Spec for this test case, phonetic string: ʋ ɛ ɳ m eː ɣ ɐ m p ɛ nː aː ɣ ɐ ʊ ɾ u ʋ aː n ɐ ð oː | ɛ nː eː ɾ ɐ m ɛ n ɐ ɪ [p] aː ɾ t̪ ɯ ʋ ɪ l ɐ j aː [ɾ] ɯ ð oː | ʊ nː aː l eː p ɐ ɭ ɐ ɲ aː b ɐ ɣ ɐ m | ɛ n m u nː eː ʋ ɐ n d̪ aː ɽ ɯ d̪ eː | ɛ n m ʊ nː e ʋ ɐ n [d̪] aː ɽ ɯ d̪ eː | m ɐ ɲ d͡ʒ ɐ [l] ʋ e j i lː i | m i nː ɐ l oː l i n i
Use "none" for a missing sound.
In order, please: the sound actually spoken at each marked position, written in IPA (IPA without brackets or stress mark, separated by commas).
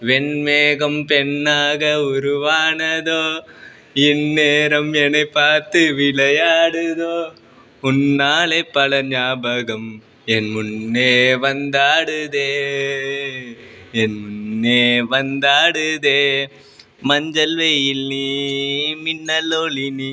p, ɽ, d̪, l